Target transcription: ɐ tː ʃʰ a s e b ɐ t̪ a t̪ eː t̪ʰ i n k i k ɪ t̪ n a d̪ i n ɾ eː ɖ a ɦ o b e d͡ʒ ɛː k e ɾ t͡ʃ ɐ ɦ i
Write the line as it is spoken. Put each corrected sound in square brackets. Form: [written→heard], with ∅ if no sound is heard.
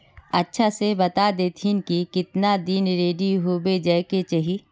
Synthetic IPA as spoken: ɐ tː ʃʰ a s e b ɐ t̪ a [t̪→d̪] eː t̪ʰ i n k i k ɪ t̪ n a d̪ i n ɾ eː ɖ [a→i] ɦ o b e d͡ʒ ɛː k e [ɾ→∅] t͡ʃ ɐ ɦ i